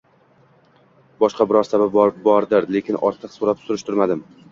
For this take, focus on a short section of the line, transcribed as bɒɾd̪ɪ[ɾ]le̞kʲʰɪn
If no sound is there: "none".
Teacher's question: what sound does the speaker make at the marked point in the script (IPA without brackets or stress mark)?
ɾ